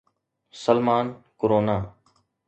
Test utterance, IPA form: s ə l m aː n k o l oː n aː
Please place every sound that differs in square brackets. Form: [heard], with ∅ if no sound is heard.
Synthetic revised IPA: s ə l m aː n k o [ɾ] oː n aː